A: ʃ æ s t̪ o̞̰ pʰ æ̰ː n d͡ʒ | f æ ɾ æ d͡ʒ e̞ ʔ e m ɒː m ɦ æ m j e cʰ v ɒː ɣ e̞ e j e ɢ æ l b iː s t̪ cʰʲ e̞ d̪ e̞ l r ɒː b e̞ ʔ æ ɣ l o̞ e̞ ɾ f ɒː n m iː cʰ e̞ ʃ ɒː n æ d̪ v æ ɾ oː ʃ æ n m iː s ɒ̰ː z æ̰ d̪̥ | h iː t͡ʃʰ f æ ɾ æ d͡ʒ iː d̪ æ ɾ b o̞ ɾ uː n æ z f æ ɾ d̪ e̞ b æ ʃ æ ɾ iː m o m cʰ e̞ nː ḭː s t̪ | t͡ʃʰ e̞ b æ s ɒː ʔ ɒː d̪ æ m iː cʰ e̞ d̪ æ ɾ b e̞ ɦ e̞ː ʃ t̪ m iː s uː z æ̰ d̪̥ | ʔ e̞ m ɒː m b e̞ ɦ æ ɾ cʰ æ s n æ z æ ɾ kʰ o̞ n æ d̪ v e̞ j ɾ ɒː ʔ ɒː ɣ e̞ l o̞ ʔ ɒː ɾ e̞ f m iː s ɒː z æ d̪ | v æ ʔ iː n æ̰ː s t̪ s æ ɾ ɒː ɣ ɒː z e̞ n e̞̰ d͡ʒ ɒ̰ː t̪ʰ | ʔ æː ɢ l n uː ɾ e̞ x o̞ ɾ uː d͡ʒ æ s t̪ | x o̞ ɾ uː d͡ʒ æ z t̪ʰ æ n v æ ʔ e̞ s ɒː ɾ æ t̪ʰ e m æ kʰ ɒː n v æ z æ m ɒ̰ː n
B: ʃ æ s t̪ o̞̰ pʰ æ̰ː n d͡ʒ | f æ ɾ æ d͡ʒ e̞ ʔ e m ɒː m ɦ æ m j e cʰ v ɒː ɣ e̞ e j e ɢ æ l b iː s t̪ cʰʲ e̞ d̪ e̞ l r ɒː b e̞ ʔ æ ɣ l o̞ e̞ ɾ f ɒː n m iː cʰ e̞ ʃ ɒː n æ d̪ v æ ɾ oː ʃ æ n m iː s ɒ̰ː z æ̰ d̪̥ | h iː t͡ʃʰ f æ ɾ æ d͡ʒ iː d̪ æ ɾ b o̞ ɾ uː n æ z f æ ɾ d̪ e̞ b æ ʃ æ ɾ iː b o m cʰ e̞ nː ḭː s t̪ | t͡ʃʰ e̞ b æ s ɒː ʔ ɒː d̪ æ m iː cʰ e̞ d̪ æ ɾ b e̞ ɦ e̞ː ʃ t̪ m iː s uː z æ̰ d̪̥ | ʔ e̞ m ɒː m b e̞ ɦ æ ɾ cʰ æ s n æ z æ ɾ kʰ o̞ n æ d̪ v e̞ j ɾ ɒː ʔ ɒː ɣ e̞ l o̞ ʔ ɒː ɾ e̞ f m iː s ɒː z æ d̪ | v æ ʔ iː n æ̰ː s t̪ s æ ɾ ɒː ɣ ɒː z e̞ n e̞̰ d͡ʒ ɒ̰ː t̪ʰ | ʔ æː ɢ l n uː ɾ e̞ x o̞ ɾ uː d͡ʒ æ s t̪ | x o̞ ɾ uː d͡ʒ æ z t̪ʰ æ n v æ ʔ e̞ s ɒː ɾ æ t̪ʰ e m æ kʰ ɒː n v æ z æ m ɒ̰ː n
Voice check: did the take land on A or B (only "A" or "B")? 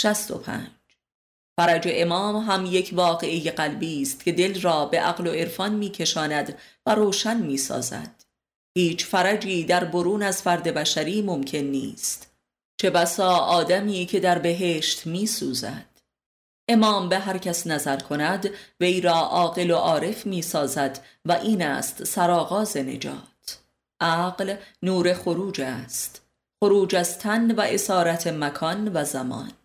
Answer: A